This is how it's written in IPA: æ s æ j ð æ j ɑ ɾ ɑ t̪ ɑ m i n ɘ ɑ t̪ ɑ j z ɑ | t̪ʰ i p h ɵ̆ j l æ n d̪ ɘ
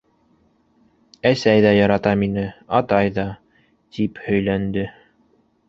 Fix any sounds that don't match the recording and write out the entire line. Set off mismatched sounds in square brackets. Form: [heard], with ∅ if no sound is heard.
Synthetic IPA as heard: æ s æ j ð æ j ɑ ɾ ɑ t̪ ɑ m i n ɘ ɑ t̪ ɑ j [ð] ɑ | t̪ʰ i p h ɵ̆ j l æ n d̪ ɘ